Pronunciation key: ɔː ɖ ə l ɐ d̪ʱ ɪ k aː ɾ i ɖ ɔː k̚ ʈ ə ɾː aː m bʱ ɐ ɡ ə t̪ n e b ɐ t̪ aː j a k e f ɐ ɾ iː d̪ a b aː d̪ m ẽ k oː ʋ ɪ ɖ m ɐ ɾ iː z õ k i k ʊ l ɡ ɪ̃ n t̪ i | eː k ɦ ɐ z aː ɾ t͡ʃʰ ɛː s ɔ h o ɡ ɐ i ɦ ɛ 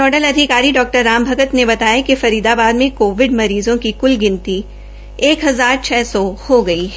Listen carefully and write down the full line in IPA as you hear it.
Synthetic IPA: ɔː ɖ ə l ɐ d̪ʱ ɪ k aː ɾ i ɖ ɔː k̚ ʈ ə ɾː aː m bʱ ɐ ɡ ə t̪ n e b ɐ t̪ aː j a k e f ɐ ɾ iː d̪ a b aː d̪ m ẽ k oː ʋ ɪ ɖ m ɐ ɾ iː z õ k i k ʊ l ɡ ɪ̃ n t̪ i | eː k ɦ ɐ z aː ɾ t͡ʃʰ ɛː s ɔ h o ɡ ɐ i ɦ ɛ